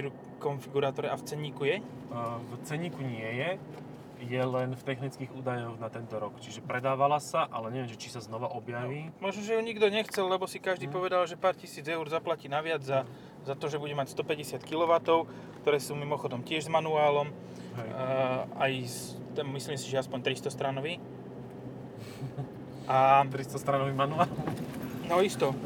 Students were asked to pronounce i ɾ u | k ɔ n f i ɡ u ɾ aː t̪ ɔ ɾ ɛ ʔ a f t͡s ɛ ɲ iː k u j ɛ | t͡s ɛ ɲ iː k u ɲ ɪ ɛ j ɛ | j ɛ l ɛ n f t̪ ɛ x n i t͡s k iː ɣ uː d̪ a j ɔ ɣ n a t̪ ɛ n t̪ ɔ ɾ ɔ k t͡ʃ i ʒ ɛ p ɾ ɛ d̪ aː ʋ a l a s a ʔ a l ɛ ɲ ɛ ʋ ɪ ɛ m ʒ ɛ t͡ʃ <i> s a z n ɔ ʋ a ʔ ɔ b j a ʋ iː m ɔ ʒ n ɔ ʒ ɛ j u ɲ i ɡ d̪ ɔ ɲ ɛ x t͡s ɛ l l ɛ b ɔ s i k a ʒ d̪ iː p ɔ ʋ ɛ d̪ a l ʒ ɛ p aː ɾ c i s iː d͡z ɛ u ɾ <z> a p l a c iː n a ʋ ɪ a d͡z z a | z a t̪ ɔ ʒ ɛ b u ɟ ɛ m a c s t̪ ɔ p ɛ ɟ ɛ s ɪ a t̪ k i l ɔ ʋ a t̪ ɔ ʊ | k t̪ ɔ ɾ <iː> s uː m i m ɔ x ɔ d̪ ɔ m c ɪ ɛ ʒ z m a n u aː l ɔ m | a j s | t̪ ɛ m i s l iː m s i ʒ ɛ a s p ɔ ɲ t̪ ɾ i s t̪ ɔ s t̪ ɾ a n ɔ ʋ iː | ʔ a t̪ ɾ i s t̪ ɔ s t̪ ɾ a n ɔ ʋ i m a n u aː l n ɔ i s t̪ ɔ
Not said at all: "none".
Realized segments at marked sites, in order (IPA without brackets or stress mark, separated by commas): i, z, ɛː